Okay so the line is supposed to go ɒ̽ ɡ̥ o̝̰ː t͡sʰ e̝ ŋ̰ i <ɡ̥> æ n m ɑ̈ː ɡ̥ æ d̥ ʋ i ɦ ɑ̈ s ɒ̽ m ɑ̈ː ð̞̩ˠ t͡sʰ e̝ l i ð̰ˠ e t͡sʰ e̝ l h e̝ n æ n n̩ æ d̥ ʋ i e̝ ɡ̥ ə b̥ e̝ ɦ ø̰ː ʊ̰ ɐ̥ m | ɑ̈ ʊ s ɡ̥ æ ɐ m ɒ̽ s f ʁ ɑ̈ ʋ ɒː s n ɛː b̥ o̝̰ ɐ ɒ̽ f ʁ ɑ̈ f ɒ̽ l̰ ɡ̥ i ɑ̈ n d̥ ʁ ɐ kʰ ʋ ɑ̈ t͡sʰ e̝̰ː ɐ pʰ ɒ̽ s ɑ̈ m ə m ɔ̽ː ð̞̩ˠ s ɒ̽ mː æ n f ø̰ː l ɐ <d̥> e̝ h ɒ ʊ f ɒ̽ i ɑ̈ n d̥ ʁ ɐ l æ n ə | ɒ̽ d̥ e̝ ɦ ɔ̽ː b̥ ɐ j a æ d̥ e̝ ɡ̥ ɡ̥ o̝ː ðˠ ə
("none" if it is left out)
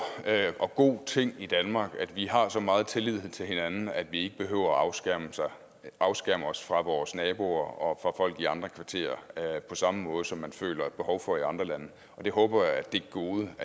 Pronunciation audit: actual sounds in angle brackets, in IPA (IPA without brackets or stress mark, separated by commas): d̥, b̥